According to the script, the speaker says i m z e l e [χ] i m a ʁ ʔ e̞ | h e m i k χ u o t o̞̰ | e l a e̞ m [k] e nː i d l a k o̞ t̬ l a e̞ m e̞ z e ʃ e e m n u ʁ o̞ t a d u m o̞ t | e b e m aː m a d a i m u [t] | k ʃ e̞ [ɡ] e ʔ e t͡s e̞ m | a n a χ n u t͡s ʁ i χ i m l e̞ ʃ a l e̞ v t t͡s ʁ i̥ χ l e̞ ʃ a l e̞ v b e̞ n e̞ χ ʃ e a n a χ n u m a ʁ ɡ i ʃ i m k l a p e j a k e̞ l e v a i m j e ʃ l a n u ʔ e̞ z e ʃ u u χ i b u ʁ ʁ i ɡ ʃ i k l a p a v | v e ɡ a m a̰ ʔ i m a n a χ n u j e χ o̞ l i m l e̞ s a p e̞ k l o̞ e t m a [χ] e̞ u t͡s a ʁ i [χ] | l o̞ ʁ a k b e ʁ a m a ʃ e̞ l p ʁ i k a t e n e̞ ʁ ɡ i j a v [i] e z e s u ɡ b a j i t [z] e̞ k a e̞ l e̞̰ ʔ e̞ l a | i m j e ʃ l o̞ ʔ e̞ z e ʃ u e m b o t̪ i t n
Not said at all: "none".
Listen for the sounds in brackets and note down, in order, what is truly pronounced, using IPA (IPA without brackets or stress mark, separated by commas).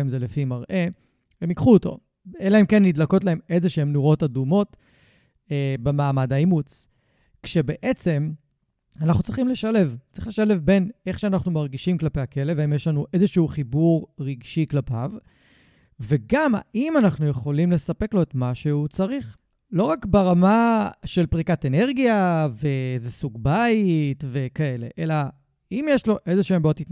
f, k, t͡s, b, ʃ, χ, e, v